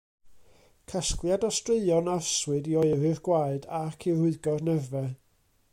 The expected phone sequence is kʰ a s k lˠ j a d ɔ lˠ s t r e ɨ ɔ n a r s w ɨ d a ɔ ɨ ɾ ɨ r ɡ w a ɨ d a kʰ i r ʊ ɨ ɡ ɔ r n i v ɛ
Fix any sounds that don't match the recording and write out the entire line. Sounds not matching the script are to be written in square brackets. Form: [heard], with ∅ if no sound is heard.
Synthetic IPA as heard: kʰ a s k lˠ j a d ɔ [∅] s t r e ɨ ɔ n a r s w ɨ d [i] ɔ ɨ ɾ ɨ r ɡ w a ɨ d a kʰ i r ʊ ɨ ɡ ɔ r n [ɛ] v ɛ